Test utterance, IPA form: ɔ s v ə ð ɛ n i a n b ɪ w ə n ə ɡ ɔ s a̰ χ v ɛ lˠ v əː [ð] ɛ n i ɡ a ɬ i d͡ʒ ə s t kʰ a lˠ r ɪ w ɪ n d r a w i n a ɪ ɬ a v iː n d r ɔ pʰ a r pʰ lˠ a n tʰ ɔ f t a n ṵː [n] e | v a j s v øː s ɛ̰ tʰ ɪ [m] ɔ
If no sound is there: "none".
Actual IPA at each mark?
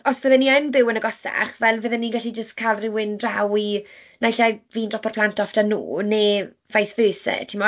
ð, n, m

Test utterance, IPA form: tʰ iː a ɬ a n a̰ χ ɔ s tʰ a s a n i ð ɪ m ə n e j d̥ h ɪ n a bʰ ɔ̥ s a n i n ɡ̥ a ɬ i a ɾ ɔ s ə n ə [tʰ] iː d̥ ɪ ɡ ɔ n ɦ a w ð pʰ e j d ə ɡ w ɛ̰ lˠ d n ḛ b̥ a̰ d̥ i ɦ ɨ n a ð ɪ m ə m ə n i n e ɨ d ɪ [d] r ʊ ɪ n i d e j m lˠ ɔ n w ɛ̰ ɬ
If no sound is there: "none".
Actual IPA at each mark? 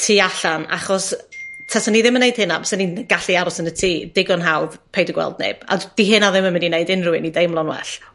tʰ, n

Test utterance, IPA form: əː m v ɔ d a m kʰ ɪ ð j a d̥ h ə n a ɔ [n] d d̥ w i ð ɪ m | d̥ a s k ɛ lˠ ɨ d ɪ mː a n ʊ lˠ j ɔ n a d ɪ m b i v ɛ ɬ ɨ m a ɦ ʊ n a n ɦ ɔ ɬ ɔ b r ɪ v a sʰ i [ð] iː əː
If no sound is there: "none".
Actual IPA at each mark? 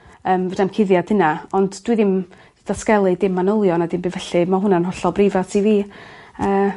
n, v

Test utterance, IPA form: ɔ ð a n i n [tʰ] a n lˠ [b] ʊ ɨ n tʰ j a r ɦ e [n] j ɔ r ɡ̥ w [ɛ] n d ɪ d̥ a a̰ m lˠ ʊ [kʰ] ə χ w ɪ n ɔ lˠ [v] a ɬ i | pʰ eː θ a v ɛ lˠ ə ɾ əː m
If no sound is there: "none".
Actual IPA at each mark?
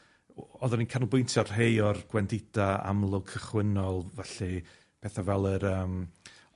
kʰ, b, none, ɛ, kʰ, v

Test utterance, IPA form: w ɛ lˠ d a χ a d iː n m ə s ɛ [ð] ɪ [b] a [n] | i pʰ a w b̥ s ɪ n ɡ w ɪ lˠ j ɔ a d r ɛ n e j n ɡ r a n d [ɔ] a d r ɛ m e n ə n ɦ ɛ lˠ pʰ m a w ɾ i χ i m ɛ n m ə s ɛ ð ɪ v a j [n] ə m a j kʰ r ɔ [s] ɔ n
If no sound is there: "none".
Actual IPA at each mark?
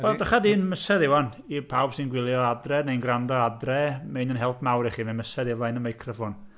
ð, w, n, ɔ, n, f

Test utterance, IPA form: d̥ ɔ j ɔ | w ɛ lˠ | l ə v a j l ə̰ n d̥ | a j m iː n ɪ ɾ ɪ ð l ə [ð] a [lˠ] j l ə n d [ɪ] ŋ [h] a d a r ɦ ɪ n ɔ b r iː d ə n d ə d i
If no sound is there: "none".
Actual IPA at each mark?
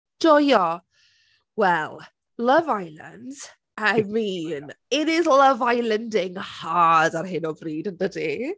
v, none, ɪ, h

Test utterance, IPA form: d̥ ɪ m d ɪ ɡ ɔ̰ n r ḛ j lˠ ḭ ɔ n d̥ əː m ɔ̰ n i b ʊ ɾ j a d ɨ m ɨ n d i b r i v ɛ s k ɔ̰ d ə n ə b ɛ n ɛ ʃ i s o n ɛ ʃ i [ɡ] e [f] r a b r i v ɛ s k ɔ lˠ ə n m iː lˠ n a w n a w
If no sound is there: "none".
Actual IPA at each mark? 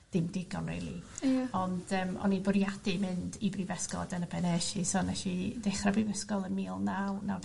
d, χ

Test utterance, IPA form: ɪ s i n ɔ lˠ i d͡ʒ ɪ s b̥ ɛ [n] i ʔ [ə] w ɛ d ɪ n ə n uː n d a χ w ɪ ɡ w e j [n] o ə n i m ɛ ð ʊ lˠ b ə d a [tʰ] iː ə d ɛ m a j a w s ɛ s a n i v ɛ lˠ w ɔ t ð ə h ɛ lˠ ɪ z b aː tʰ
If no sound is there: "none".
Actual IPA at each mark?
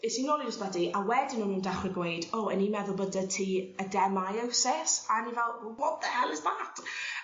d, a, d, tʰ

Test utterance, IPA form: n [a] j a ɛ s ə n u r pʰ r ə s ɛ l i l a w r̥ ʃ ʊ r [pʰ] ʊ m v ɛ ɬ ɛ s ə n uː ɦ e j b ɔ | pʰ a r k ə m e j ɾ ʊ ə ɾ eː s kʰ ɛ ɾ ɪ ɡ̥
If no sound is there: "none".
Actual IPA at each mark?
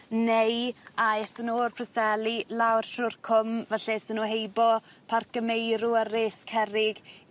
e, kʰ

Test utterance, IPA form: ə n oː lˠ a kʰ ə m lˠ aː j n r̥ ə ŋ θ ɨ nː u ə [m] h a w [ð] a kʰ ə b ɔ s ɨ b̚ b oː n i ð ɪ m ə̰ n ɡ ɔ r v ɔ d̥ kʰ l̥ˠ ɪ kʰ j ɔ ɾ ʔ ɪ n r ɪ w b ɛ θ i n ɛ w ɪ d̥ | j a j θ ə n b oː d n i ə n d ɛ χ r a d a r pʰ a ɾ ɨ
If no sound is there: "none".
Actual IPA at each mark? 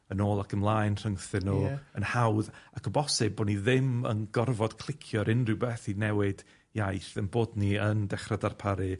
n, ð

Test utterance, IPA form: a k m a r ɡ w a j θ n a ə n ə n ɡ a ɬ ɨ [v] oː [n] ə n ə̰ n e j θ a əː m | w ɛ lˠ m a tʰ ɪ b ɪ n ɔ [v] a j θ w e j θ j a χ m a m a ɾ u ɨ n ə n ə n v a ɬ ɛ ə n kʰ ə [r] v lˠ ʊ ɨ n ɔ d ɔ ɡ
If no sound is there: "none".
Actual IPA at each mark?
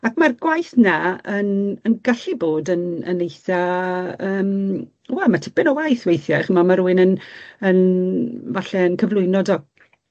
b, d, w, none

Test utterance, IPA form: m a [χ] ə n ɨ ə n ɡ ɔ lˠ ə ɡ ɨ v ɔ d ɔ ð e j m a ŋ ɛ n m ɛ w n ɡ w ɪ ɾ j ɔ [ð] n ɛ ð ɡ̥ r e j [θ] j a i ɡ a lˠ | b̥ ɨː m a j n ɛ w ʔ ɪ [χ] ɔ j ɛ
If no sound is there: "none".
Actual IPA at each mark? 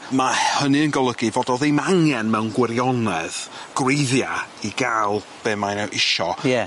h, none, ð, ʃ

